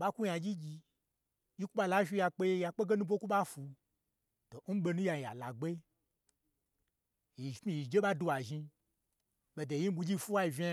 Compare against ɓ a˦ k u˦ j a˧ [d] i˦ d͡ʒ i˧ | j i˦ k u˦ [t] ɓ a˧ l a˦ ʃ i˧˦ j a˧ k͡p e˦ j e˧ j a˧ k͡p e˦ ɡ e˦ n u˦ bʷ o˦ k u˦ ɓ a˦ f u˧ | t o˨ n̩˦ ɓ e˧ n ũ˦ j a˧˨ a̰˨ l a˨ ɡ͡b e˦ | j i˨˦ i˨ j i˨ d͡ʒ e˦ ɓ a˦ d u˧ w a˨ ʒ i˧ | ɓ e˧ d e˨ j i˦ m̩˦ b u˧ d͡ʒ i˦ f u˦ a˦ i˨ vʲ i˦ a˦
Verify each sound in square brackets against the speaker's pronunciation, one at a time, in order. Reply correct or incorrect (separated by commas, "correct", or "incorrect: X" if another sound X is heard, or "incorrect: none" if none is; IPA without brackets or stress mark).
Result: incorrect: d͡ʒ, incorrect: none